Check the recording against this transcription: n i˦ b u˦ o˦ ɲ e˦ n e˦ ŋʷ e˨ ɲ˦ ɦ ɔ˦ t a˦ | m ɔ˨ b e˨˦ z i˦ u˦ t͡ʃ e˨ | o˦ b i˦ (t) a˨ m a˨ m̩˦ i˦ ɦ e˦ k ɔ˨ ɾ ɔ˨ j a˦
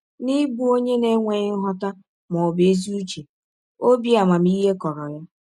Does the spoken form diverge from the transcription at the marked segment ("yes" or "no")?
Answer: yes